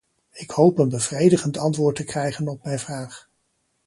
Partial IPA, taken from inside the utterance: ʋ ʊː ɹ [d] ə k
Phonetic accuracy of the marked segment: incorrect: t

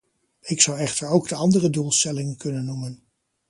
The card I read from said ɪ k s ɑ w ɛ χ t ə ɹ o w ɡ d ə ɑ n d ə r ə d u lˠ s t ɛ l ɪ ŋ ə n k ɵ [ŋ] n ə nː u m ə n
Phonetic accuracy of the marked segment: incorrect: none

